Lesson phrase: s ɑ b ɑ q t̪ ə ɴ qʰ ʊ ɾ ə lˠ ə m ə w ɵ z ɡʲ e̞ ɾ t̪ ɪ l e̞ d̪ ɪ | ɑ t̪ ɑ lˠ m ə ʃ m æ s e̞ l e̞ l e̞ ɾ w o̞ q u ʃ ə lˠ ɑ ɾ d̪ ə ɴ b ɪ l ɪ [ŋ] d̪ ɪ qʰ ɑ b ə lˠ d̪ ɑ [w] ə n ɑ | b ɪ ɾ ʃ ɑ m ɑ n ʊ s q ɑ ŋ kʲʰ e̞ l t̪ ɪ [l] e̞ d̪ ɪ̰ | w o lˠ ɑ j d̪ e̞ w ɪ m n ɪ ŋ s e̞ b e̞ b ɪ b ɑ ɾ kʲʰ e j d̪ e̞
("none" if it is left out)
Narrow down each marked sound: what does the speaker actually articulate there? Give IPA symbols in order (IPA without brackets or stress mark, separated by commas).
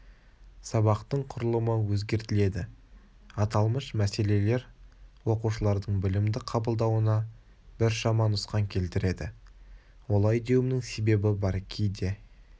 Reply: m, w, ɾ